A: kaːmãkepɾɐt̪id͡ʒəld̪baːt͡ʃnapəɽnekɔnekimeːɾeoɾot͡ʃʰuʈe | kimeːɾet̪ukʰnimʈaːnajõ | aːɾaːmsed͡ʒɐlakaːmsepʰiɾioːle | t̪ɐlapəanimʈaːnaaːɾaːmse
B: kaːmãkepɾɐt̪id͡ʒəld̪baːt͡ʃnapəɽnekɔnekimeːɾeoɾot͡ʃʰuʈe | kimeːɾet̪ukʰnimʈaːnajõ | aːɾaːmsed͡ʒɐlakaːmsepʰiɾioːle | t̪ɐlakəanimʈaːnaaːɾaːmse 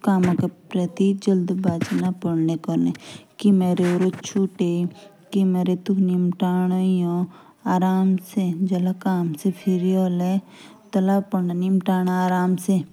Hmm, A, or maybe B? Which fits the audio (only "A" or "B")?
A